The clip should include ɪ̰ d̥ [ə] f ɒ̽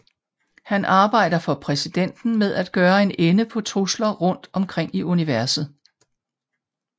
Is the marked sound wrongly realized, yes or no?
yes